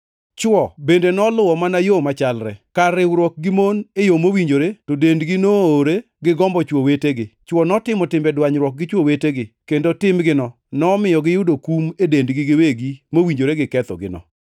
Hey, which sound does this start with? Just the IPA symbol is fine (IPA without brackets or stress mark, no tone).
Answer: t͡ʃ